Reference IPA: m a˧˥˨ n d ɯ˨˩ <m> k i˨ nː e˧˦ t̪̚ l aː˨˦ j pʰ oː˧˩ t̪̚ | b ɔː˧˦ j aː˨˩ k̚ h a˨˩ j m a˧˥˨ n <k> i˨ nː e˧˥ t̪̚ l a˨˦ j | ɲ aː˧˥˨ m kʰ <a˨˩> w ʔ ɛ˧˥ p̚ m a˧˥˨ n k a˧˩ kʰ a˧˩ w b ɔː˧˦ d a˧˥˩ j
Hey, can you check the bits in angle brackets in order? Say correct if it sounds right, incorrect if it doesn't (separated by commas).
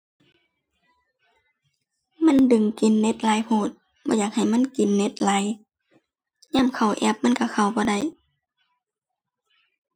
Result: incorrect, correct, correct